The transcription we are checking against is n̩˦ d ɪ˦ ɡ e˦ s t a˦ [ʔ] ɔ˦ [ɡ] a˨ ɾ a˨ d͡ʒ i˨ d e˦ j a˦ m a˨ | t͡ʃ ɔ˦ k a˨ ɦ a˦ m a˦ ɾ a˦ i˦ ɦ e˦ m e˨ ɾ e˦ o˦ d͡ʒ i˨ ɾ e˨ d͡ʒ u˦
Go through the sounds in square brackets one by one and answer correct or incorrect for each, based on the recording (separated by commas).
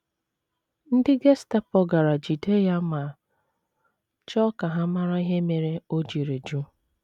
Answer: incorrect, correct